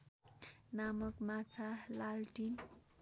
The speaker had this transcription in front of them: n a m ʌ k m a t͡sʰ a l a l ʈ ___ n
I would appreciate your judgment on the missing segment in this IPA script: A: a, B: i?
B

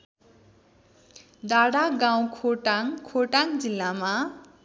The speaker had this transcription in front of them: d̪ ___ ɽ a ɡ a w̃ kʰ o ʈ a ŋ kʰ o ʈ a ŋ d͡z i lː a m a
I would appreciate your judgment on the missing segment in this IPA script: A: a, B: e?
A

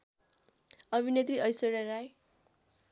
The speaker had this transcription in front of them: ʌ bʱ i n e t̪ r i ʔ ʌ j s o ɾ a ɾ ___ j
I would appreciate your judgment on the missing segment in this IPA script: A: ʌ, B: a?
B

